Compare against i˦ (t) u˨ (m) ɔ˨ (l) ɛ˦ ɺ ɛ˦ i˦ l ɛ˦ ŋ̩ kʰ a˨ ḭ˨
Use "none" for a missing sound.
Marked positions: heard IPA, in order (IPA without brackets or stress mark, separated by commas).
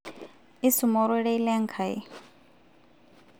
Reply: s, m, ɾ